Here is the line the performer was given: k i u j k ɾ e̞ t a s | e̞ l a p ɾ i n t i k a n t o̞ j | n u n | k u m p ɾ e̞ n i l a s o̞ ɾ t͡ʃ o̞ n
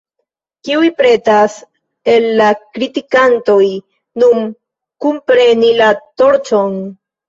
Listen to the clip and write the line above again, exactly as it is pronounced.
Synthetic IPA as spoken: k i u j p ɾ e̞ t a s | e̞ lː a k ɾ i t i k a n t o̞ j | n u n | k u m p ɾ e̞ n i l a t o̞ ɾ t͡ʃ o̞ n